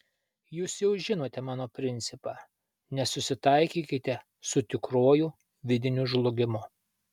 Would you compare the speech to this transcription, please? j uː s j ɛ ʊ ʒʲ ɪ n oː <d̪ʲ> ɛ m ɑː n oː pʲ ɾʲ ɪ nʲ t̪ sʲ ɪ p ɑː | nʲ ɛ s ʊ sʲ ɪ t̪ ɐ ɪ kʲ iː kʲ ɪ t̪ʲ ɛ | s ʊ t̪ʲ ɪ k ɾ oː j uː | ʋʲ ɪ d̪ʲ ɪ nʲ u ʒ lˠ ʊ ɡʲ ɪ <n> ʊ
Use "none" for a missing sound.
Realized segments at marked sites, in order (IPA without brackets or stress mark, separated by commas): t̪ʲ, m